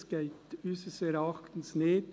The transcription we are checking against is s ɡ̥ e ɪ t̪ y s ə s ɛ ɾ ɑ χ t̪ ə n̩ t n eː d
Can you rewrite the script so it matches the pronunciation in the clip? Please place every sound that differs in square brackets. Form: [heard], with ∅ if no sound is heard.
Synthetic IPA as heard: s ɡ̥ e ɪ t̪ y s ə s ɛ ɾ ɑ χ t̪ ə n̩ [s] n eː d